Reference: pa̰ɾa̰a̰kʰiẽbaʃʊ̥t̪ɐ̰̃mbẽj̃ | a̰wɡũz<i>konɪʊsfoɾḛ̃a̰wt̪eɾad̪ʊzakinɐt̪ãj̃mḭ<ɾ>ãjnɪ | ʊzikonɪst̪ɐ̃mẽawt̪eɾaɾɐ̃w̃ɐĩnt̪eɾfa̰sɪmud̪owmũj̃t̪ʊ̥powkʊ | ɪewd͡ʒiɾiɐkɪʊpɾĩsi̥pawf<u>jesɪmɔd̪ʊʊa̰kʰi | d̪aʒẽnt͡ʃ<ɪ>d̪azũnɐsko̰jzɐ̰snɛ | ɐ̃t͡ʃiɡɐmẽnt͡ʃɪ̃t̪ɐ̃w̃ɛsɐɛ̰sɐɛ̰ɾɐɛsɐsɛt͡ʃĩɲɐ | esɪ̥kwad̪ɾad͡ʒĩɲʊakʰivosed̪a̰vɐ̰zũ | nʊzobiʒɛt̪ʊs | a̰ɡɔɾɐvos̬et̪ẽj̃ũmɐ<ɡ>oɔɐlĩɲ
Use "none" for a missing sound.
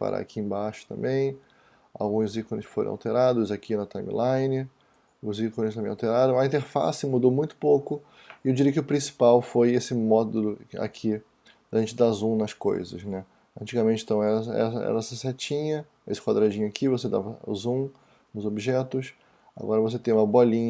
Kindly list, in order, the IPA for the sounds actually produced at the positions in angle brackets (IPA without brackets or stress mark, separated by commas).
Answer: i, l, o, ɪ, b